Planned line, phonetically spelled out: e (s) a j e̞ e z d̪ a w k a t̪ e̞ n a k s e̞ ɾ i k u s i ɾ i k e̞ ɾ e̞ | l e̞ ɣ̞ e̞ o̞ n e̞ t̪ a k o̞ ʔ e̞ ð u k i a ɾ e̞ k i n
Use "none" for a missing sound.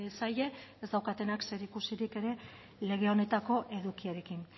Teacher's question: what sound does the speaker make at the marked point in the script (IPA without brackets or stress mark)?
s